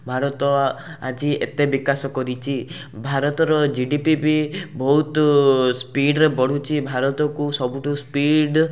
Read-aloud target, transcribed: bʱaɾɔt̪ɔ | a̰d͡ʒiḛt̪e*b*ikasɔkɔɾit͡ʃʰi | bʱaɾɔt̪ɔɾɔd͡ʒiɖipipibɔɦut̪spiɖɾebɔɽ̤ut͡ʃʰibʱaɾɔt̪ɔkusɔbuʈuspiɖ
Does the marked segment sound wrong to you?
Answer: no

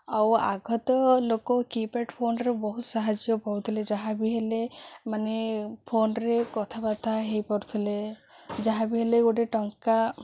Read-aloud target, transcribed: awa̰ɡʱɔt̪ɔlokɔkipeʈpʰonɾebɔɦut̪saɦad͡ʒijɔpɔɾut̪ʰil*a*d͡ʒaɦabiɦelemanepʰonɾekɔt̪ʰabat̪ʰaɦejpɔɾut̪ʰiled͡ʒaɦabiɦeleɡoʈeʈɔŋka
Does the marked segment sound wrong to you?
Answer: yes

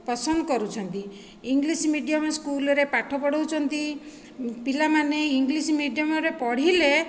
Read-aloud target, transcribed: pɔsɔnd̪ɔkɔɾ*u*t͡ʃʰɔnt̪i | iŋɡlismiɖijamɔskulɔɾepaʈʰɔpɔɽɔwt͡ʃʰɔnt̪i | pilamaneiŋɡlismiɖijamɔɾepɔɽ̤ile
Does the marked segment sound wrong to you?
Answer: no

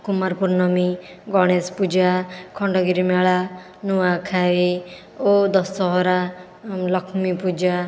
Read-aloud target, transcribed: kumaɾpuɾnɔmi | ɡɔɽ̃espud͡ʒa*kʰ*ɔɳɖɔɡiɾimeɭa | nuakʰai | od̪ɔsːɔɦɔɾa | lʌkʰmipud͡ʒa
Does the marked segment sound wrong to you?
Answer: no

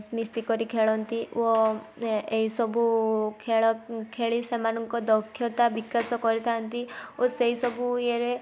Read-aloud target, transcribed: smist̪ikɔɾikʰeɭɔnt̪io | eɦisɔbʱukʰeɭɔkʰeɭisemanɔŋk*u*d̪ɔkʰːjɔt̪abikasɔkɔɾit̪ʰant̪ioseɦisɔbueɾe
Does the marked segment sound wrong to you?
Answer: yes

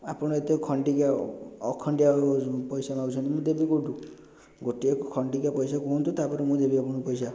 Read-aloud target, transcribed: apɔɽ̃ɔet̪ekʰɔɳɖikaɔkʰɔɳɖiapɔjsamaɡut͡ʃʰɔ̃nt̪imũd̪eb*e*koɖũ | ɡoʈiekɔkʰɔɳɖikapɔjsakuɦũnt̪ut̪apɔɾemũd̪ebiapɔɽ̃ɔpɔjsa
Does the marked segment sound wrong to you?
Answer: yes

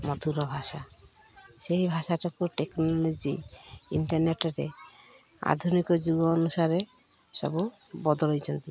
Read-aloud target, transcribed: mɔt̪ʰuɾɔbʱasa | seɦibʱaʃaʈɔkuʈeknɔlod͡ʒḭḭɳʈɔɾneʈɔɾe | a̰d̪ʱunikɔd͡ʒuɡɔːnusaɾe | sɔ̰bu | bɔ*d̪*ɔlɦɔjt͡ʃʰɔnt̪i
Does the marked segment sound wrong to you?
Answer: no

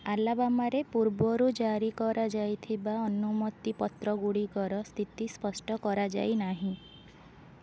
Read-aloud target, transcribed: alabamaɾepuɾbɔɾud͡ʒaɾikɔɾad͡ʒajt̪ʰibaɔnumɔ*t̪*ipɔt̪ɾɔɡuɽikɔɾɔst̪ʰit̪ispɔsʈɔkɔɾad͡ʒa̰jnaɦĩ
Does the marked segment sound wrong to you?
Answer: no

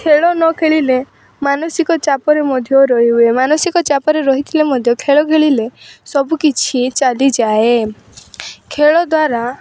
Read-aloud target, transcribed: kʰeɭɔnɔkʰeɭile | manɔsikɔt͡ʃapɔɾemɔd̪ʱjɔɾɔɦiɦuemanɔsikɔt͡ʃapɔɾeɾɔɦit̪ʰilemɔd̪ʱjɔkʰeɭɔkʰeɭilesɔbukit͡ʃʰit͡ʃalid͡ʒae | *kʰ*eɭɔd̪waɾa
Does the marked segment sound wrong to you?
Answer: no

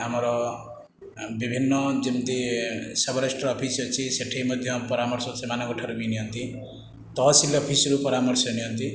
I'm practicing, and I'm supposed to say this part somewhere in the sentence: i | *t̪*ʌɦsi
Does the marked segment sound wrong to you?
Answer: no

